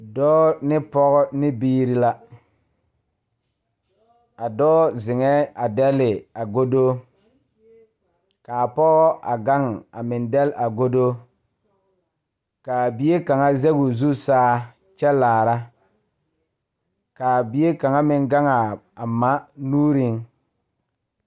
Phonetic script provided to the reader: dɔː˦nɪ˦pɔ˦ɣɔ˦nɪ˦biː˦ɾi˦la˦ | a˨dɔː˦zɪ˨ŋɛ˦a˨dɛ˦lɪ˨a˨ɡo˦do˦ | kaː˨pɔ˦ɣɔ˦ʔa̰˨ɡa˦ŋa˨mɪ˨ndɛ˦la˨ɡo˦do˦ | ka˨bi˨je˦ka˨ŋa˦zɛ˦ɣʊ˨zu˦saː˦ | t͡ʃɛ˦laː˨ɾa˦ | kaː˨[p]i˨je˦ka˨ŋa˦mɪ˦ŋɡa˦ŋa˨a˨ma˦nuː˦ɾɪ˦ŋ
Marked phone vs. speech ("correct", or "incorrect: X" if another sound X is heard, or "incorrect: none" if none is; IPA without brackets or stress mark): incorrect: b